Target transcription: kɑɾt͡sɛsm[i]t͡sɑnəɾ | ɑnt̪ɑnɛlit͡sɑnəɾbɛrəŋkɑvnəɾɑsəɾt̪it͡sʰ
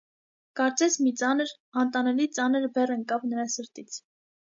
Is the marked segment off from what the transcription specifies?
no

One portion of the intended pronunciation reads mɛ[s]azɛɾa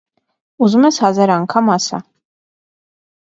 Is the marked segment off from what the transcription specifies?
no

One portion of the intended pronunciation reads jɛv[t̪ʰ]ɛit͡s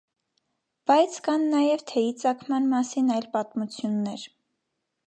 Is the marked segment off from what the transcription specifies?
no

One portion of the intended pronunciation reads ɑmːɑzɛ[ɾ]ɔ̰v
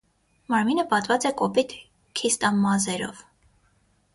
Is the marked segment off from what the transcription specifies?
no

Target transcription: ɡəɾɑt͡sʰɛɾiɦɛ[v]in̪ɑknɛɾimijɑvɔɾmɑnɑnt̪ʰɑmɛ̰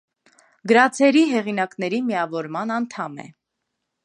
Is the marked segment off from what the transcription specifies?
yes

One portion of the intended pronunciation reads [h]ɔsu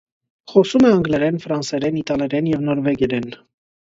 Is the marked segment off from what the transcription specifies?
yes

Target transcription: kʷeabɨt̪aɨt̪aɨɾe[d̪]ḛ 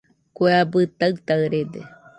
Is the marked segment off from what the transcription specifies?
no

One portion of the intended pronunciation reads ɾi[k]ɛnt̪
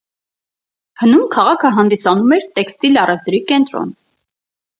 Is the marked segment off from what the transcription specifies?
no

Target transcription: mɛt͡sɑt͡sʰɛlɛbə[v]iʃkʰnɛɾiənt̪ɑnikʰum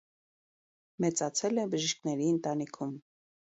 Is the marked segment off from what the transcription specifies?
yes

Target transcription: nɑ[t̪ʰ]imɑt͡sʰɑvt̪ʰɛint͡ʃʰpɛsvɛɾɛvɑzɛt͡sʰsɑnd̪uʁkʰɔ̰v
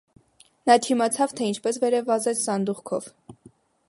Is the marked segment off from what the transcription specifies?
no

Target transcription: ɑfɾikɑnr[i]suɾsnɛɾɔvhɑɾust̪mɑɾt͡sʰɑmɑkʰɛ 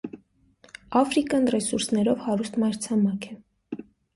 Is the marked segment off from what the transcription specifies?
yes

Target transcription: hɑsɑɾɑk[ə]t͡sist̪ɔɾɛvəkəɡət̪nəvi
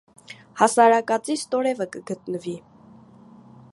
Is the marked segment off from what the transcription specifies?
yes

